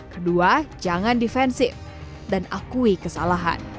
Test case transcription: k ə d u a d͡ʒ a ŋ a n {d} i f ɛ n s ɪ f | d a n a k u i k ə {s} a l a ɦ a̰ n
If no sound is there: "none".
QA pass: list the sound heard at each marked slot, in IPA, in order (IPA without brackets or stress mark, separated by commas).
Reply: d, s